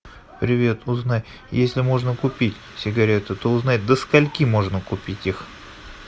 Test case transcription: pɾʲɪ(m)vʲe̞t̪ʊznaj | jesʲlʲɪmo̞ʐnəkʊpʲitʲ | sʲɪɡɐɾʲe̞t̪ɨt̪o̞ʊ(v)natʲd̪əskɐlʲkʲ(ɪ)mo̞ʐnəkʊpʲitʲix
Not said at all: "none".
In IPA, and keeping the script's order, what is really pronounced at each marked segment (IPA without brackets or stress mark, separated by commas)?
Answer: none, z, i